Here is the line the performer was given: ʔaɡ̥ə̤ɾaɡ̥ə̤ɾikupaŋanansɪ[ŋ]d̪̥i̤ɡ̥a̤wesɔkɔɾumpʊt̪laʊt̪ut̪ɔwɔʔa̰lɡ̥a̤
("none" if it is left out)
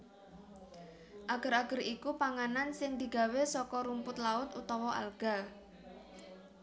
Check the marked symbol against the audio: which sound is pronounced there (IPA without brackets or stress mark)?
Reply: ŋ